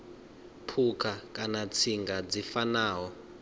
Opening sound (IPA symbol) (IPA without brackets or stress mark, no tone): pʰ